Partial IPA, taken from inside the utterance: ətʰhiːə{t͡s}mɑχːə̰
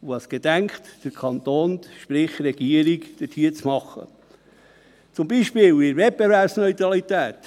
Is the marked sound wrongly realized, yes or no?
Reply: no